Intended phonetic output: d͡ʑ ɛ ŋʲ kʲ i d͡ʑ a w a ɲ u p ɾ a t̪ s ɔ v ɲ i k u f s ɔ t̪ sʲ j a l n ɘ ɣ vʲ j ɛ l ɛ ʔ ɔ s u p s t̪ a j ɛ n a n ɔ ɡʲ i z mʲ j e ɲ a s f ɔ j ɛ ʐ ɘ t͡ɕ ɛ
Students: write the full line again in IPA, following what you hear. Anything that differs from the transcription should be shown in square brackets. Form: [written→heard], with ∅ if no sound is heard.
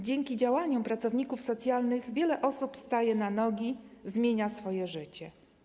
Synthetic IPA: d͡ʑ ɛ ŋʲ kʲ i d͡ʑ a w a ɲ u p ɾ a t̪ s ɔ v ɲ i k u f s ɔ t̪ sʲ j a l n ɘ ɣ vʲ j ɛ l ɛ ʔ ɔ s u p s t̪ a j ɛ n a n ɔ ɡʲ i z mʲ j e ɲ a s f ɔ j ɛ ʐ ɘ t͡ɕ ɛ